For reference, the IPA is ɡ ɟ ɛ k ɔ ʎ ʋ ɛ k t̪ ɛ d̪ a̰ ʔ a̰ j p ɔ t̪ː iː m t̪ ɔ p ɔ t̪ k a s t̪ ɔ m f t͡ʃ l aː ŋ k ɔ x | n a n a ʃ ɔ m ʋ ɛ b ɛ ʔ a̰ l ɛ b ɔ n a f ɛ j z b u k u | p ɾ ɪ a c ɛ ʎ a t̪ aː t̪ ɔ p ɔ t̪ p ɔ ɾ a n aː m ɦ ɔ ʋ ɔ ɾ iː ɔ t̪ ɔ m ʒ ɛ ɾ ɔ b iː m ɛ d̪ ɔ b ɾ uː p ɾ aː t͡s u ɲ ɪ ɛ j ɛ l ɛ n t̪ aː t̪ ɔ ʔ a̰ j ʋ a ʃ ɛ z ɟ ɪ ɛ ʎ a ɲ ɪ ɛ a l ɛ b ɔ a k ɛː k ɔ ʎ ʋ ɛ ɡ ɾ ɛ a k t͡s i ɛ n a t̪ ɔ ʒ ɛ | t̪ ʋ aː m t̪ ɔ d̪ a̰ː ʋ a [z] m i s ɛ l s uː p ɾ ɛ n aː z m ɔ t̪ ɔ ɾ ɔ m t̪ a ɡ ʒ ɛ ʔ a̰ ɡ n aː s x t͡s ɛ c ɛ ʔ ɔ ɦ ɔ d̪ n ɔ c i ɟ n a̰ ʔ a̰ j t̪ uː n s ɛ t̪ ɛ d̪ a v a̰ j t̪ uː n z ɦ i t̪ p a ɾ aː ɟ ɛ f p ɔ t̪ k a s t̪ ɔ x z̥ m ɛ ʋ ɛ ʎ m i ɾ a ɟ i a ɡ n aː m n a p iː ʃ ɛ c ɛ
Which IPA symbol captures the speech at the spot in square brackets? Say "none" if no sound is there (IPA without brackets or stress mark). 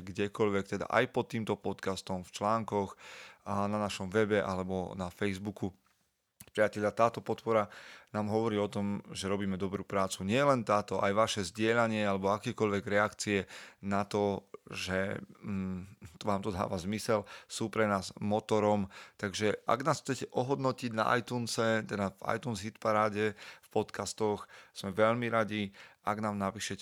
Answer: z